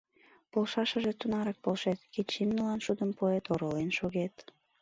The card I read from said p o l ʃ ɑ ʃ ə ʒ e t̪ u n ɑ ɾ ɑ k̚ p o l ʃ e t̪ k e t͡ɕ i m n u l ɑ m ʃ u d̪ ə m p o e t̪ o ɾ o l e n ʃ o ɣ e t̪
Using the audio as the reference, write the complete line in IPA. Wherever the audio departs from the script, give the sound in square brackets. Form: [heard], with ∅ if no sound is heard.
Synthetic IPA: p o l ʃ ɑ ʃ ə ʒ e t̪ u n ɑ ɾ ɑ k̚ p o l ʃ e t̪ k e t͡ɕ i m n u l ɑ [n] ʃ u d̪ ə m p o e t̪ o ɾ o l e n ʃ o ɣ e t̪